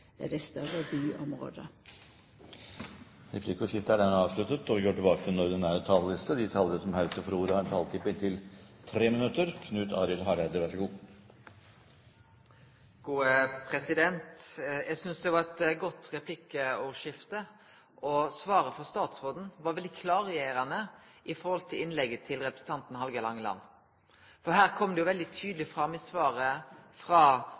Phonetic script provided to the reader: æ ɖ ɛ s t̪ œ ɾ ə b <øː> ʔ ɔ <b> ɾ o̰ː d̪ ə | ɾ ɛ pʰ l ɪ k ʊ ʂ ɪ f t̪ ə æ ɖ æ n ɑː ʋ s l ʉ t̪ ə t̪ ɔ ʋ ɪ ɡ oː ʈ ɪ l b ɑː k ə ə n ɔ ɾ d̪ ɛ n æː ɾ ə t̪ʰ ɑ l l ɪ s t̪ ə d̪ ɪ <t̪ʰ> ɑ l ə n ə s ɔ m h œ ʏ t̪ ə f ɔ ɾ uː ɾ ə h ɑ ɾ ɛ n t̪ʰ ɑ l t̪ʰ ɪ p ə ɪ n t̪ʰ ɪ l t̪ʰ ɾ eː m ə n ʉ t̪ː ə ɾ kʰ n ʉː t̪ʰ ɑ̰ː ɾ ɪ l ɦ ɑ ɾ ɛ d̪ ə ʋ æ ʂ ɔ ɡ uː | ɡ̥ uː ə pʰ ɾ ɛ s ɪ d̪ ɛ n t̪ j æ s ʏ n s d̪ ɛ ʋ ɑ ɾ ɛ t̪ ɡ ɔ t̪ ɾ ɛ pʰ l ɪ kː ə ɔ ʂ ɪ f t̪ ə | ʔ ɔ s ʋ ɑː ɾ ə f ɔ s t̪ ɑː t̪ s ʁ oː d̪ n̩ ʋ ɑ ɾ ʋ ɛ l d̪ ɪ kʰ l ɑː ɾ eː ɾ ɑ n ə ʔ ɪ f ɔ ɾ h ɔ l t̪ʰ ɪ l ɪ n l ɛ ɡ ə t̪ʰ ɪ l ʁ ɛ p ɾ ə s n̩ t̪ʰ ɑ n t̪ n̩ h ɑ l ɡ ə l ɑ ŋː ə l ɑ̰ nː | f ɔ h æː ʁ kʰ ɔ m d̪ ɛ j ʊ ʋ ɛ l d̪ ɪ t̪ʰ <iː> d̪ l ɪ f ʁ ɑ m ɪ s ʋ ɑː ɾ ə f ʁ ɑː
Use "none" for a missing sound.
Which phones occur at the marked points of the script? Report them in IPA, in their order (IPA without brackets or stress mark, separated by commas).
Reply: yː, m, t̪ʰ, yː